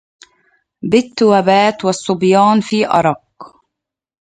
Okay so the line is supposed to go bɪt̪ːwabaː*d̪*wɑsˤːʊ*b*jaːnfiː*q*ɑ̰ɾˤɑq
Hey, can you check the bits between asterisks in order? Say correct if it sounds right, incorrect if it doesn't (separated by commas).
incorrect, correct, incorrect